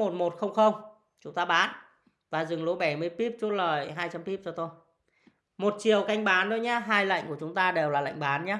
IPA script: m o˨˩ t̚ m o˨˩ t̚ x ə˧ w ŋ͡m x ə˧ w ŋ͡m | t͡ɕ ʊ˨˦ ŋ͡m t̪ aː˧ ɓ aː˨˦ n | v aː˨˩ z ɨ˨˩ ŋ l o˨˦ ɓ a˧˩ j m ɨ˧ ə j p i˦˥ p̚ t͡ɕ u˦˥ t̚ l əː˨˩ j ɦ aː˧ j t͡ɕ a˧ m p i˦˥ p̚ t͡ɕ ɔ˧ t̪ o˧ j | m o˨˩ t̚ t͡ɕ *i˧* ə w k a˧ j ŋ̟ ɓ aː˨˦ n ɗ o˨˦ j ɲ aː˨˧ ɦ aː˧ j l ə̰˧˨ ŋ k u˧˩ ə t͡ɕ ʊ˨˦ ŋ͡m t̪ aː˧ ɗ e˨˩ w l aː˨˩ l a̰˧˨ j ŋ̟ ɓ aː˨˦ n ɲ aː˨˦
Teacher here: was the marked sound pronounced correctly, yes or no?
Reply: no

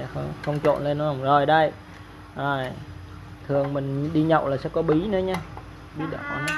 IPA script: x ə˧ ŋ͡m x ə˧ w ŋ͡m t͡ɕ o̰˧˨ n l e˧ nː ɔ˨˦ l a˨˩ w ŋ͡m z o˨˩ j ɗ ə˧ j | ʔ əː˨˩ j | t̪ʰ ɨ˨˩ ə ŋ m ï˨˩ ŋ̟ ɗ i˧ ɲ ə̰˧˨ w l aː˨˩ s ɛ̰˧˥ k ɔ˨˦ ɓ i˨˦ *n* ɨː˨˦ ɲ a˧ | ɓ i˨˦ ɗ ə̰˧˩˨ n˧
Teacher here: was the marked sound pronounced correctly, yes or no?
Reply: yes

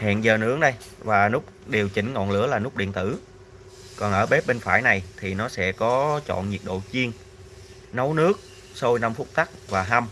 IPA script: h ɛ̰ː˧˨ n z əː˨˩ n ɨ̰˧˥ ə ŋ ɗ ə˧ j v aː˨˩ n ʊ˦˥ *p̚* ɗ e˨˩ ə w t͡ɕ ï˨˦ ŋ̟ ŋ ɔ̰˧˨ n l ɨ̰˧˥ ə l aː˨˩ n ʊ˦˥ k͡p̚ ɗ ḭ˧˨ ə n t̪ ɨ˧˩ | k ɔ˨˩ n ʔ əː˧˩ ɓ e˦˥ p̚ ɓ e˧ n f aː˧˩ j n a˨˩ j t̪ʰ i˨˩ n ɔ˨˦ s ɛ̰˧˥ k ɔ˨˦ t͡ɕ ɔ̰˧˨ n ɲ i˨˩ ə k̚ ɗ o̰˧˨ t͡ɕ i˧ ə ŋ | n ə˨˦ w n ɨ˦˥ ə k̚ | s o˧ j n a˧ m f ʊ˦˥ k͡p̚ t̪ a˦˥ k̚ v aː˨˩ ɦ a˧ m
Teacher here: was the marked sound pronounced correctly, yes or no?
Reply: no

